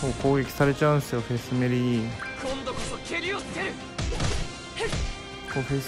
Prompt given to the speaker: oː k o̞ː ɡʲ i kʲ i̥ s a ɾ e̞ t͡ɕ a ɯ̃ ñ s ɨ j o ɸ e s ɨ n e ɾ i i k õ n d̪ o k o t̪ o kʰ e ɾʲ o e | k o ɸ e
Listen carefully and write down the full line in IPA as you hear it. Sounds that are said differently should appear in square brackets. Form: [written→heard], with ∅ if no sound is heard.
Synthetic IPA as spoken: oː k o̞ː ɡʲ [i→e] kʲ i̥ s a ɾ e̞ t͡ɕ a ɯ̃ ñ s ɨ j o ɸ e s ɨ [n→m] e ɾ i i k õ n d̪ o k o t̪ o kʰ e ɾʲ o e | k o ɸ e